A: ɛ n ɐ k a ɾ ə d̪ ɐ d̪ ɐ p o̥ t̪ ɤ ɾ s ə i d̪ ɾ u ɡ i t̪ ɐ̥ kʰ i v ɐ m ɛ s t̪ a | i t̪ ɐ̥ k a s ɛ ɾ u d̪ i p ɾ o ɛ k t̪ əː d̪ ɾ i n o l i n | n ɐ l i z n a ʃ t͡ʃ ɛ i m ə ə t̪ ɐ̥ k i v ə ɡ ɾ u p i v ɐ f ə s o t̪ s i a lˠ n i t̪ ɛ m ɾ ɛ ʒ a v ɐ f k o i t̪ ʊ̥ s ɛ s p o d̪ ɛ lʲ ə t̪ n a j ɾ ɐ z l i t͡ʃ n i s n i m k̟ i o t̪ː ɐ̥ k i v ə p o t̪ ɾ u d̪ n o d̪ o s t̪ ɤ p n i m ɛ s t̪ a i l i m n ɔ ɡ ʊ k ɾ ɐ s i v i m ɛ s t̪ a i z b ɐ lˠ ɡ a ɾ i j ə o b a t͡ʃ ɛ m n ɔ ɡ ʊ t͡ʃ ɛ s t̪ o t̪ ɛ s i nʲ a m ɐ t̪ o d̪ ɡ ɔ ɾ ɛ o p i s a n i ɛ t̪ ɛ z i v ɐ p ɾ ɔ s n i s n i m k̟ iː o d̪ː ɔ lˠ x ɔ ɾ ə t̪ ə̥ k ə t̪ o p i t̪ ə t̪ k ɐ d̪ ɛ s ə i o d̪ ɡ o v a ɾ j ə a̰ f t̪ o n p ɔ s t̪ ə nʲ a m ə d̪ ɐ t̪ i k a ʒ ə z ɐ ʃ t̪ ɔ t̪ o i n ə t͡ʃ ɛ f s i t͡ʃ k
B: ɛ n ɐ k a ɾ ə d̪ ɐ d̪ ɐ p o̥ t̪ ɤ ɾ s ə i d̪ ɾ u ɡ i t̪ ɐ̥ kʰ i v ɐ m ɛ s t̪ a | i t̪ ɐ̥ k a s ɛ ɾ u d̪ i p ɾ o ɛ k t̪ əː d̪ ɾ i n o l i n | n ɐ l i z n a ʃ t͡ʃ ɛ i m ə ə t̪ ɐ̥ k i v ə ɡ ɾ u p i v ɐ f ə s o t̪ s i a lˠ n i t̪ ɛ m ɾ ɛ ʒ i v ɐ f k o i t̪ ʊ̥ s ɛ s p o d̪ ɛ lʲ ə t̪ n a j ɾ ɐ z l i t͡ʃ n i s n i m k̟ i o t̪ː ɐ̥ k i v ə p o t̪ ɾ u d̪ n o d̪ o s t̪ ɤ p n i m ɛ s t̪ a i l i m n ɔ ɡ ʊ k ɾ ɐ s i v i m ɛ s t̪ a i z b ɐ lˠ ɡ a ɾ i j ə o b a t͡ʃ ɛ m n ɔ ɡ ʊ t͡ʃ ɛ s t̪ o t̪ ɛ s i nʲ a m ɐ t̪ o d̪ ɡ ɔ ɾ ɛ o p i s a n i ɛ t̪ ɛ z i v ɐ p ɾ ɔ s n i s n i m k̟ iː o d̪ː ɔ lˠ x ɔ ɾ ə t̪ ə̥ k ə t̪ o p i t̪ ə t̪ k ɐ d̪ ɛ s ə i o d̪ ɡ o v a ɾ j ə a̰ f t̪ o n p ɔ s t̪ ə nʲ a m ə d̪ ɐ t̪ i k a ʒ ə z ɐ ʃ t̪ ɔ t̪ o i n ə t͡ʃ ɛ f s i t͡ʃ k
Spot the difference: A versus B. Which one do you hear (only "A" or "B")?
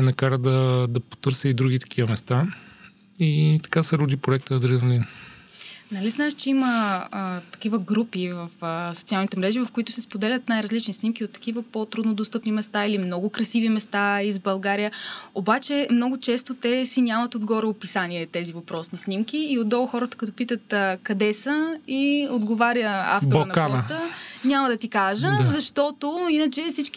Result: B